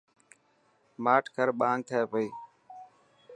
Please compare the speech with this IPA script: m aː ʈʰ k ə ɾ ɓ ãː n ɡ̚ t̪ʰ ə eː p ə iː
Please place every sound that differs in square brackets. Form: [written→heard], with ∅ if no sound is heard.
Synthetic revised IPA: m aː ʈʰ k ə ɾ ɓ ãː [n→ŋ] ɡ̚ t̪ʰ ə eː p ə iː